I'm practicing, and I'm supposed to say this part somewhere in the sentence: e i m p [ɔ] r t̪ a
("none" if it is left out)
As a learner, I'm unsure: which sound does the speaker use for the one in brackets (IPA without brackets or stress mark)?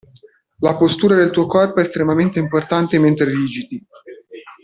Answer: o